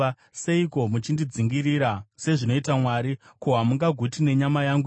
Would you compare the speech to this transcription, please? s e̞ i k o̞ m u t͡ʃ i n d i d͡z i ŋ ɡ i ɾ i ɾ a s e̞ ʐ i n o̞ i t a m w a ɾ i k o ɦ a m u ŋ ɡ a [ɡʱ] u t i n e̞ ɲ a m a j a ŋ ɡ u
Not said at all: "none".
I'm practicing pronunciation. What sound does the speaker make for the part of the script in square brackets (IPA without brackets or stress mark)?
ɡʱ